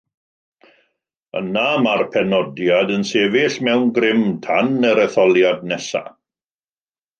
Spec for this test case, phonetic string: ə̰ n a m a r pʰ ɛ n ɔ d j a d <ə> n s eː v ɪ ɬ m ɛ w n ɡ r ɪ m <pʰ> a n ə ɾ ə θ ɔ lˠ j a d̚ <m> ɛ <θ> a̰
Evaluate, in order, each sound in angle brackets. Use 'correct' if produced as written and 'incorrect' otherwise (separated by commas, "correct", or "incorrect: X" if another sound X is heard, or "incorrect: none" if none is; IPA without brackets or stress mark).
correct, incorrect: tʰ, incorrect: n, incorrect: s